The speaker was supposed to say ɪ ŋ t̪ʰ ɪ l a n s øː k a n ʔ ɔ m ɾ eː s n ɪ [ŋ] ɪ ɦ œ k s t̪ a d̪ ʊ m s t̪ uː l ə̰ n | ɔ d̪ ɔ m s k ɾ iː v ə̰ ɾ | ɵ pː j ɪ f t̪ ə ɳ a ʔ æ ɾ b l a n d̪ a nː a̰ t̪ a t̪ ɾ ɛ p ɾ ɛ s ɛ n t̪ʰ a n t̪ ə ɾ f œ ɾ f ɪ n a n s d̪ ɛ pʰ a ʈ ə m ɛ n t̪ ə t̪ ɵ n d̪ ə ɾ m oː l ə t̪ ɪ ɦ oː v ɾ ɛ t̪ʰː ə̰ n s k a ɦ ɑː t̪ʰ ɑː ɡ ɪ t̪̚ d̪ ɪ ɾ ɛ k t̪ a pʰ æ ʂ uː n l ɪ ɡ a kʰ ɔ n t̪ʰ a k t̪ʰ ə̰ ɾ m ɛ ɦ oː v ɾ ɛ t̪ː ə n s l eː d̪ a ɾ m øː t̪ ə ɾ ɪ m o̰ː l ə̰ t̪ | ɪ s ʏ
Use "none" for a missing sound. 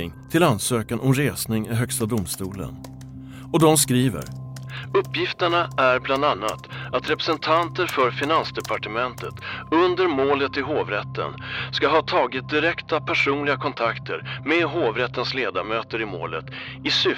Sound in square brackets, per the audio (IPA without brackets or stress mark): ŋ